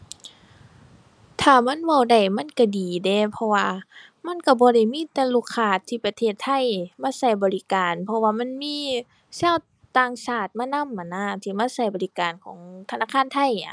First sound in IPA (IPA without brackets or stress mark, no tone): t̪ʰ